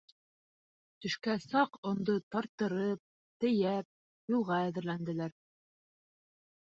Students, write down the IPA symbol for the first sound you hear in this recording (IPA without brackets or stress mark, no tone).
t̪